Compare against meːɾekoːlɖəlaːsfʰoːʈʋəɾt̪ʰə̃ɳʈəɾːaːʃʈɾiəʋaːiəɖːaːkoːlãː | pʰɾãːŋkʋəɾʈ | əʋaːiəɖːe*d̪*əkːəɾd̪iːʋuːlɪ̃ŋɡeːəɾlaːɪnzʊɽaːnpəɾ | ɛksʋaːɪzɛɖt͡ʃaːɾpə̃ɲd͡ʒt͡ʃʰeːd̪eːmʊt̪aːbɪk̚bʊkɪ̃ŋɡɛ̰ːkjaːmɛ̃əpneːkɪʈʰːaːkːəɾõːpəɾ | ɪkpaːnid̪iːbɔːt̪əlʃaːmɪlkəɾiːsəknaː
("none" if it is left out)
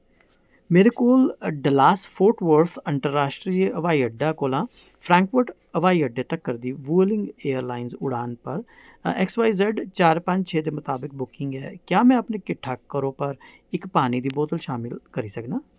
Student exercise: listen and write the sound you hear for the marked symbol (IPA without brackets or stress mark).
t̪